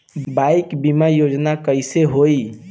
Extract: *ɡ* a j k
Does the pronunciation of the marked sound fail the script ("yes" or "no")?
yes